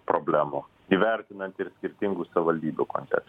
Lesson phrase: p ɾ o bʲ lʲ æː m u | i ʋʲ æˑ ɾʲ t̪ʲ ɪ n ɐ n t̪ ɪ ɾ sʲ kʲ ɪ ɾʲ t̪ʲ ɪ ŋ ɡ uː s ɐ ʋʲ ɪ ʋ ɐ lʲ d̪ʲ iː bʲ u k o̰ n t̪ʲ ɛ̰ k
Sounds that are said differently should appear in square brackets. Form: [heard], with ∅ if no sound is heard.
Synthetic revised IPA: p ɾ o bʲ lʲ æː m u | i ʋʲ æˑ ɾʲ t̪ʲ ɪ n ɐ n t̪ ɪ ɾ sʲ kʲ ɪ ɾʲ t̪ʲ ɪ ŋ ɡ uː s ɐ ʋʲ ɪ ʋ ɐ lʲ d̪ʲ iː bʲ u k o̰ n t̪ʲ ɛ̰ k